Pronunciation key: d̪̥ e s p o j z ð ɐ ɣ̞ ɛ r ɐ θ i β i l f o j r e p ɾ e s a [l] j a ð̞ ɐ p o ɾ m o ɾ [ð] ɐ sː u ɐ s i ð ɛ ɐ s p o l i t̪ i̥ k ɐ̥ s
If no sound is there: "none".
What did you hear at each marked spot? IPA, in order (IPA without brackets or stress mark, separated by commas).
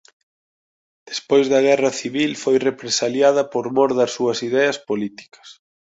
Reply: l, ð